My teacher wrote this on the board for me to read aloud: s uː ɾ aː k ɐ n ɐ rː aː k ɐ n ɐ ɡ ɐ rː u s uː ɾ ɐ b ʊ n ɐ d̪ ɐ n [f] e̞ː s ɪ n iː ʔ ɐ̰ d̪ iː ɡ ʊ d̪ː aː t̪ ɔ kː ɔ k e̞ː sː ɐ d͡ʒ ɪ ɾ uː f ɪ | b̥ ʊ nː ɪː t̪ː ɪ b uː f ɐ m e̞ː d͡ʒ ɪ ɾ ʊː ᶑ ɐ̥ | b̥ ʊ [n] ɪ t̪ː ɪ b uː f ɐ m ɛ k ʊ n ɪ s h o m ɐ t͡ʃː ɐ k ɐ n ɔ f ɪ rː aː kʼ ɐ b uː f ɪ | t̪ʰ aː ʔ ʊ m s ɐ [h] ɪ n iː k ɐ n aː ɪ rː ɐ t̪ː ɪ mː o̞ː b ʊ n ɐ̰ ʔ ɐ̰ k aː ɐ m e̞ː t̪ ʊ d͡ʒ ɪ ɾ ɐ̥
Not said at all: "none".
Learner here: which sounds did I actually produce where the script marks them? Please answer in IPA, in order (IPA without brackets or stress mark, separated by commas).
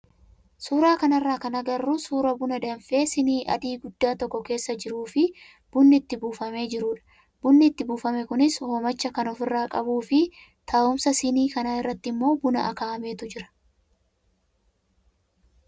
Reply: f, nː, s